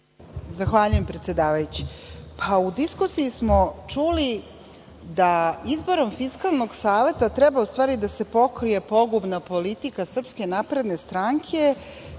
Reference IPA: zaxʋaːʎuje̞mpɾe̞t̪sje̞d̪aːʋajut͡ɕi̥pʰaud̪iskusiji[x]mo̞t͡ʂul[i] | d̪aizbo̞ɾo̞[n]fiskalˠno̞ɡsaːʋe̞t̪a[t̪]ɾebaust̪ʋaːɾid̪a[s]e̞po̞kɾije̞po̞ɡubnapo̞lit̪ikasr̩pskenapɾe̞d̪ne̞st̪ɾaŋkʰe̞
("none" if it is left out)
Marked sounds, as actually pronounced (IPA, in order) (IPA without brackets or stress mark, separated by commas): s, i, m, t̪, s